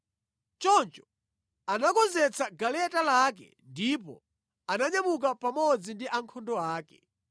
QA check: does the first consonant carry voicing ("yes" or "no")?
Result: no